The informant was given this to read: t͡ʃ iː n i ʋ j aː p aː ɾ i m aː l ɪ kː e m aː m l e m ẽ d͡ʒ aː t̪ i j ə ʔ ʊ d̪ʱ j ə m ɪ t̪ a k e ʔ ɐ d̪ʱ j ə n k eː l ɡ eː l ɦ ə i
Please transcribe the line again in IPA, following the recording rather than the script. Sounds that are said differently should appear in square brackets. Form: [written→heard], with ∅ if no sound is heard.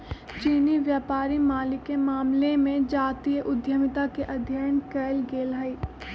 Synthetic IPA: t͡ʃ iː n i ʋ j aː p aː ɾ i m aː l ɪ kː e m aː m l e m ẽ d͡ʒ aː t̪ i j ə ʔ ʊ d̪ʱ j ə m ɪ t̪ a k e ʔ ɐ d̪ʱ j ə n k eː l ɡ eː l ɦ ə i